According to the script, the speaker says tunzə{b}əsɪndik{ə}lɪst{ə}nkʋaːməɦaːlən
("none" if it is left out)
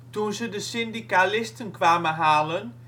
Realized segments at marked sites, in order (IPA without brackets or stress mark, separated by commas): d, a, ə